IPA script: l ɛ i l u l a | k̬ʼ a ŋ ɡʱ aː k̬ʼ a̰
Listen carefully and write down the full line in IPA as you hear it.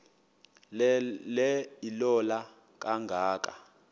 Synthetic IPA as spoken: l ɛ i l ɔ l a | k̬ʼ a ŋ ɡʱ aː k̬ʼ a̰